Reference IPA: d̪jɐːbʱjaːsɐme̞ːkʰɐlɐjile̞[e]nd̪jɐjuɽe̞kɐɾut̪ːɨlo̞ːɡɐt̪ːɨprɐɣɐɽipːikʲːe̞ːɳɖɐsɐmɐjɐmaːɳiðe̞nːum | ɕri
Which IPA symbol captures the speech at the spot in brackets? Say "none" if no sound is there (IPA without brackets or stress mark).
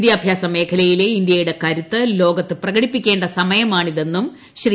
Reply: i